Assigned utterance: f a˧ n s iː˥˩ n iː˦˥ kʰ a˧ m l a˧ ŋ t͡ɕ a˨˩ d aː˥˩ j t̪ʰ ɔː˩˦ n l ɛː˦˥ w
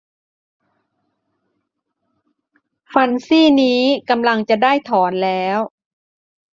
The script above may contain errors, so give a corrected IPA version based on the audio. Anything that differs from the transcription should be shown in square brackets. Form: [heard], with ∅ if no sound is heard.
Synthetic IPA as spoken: f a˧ n s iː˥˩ n iː˦˥ [k] a˧ m l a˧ ŋ t͡ɕ a˨˩ d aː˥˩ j t̪ʰ ɔː˩˦ n l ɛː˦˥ w